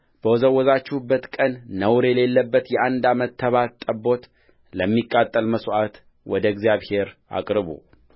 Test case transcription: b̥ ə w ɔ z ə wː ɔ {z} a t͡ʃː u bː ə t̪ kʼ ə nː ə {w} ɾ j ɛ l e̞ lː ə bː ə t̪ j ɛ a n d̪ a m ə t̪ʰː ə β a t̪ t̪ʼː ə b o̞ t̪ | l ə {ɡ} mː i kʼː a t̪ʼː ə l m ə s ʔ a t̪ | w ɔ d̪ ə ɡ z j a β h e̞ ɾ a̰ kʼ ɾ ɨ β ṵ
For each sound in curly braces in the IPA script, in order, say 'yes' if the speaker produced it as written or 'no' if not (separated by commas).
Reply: yes, yes, no